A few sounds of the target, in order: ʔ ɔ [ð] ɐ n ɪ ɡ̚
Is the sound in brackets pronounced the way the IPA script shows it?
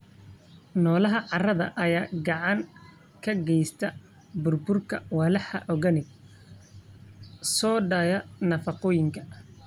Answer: no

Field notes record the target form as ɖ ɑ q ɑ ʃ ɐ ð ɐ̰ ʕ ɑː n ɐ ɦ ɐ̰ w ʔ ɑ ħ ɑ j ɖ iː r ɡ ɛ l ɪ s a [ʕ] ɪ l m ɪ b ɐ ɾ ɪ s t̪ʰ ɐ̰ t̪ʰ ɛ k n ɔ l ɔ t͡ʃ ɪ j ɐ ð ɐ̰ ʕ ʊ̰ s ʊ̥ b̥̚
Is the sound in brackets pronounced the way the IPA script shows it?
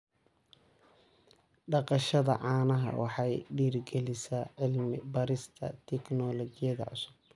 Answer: yes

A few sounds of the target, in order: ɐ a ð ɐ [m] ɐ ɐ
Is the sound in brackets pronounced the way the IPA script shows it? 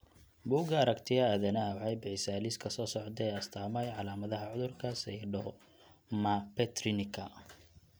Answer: no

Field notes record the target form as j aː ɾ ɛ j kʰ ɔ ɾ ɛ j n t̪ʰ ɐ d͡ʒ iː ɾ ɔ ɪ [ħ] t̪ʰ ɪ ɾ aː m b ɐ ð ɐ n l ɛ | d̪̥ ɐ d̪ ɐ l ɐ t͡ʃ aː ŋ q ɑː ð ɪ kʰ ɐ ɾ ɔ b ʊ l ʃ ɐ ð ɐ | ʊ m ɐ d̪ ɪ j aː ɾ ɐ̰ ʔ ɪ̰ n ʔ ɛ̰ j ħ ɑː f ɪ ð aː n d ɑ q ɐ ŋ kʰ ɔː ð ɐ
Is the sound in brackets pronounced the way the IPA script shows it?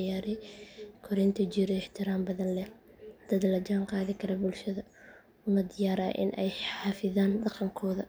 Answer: yes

